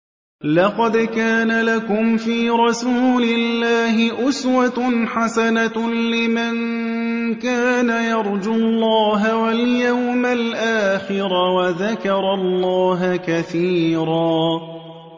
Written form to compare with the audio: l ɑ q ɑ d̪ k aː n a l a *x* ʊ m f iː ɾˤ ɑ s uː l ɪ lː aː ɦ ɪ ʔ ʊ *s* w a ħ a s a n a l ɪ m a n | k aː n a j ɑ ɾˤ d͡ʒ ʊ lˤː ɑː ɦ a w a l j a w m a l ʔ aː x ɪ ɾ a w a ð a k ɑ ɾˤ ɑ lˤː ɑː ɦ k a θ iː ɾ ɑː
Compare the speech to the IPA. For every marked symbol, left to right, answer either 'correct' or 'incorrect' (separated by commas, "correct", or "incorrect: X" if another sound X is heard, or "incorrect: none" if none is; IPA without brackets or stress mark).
incorrect: k, correct